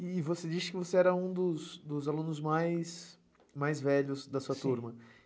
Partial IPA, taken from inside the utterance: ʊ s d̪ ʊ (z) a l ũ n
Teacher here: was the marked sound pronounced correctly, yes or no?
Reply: yes